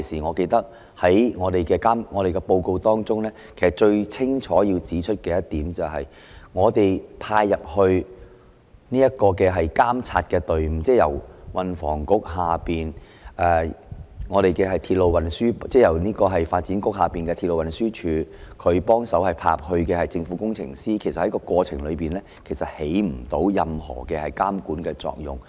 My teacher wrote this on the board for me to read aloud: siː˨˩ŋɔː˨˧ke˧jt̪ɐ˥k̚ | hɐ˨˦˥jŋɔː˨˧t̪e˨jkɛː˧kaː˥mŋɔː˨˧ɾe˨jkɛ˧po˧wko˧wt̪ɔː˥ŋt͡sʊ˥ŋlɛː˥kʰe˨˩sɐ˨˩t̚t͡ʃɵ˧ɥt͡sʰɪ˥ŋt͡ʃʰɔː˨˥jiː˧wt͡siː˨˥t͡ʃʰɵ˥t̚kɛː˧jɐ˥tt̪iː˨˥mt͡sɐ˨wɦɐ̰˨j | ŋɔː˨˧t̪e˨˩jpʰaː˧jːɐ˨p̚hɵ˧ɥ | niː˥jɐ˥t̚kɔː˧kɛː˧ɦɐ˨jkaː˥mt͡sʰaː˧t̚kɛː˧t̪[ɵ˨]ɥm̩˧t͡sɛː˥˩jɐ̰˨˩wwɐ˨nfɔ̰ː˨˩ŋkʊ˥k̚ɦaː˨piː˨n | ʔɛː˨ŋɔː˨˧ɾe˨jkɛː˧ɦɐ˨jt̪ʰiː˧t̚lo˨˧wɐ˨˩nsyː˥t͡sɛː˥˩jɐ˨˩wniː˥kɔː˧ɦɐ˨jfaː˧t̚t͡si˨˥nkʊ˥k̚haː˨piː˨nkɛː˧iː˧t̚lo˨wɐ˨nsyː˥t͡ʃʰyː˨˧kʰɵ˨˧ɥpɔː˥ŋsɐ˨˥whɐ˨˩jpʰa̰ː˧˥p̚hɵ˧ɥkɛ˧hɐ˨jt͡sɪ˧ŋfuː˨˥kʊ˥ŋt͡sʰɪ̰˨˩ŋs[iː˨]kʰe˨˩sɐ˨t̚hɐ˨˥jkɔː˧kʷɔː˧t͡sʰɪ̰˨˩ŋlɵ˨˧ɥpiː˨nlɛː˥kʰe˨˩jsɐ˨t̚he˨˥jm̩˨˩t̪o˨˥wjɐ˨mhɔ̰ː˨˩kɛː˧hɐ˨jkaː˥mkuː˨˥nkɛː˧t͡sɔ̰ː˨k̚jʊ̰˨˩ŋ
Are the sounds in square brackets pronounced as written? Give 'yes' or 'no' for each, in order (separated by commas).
yes, no